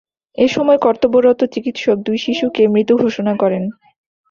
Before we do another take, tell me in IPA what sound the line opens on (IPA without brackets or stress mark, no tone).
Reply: e